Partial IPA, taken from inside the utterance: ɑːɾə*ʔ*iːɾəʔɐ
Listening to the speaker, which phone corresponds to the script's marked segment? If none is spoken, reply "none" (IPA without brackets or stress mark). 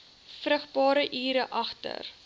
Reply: ʔ